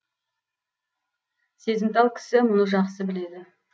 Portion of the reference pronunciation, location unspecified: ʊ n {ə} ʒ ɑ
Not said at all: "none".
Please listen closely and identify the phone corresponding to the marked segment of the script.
ə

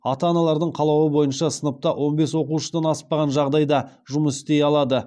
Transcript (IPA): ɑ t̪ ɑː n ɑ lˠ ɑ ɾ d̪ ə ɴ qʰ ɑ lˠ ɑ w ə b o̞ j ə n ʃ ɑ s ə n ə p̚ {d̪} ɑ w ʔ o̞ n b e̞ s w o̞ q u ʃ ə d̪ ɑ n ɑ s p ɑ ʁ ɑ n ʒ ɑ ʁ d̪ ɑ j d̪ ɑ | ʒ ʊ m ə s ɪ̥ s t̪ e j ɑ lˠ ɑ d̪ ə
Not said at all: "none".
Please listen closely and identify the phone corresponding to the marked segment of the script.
t̪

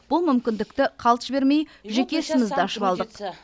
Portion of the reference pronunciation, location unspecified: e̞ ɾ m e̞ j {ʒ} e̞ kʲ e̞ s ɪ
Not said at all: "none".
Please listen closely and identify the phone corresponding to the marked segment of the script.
ʒ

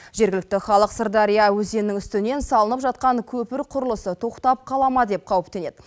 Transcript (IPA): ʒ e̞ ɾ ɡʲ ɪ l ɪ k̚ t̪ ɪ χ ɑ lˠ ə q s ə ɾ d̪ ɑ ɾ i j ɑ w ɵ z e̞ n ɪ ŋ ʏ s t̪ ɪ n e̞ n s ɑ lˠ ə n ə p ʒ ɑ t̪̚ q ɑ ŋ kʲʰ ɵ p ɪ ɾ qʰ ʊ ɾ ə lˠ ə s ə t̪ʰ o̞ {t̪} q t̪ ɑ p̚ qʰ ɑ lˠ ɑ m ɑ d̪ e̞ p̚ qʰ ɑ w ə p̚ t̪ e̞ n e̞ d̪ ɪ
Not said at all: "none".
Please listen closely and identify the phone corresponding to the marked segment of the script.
none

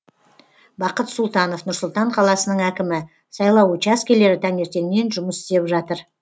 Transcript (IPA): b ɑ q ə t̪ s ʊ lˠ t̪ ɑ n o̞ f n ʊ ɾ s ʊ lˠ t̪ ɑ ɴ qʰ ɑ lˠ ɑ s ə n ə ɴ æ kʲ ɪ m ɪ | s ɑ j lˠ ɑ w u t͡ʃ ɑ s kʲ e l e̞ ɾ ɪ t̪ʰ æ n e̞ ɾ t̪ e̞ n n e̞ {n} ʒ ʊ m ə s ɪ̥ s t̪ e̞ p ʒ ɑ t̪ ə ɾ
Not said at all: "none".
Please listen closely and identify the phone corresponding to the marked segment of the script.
n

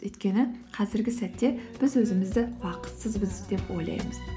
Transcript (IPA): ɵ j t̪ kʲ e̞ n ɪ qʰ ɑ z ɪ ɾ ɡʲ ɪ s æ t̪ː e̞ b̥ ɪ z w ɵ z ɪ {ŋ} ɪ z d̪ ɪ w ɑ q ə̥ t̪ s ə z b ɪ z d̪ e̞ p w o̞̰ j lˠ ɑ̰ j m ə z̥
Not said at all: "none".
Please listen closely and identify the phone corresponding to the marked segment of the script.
m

